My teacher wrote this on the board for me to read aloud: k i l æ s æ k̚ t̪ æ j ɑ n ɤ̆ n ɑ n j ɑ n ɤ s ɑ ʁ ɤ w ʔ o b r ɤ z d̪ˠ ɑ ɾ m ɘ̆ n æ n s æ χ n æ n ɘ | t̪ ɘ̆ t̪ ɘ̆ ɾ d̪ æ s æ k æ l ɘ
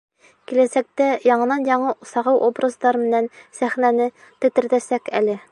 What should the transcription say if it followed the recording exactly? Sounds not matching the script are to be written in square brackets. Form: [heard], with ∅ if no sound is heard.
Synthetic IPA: k i l æ s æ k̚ t̪ æ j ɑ [ɴ] ɤ̆ n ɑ n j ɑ [ɴ] ɤ s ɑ ʁ ɤ w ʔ o b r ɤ z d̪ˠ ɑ ɾ m ɘ̆ n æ n s æ χ n æ n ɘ | t̪ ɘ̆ t̪ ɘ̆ ɾ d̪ æ s æ k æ l ɘ